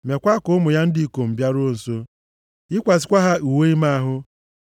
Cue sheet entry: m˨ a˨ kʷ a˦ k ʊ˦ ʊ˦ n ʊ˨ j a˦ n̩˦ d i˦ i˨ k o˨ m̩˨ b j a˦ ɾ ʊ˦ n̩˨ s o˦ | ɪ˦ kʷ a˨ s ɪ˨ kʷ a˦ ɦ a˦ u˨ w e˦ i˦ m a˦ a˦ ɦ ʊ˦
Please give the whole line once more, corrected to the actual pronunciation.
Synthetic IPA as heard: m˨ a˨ kʷ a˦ k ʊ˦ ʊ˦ m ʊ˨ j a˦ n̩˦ d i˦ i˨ k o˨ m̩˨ b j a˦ ɾ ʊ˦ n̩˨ s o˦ | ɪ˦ kʷ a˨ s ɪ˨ kʷ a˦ ɦ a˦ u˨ w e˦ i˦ m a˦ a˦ ɦ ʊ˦